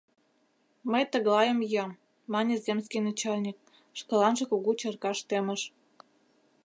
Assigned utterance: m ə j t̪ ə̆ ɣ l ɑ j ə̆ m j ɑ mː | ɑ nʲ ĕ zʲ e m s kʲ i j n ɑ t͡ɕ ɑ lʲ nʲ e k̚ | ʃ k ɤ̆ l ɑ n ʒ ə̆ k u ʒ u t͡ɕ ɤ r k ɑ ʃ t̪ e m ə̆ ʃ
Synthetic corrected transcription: m ə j t̪ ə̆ ɣ l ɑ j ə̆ m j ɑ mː | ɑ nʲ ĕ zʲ e m s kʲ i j n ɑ t͡ɕ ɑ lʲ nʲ i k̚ | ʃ k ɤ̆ l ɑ n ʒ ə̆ k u ɣ u t͡ɕ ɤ r k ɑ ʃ t̪ e m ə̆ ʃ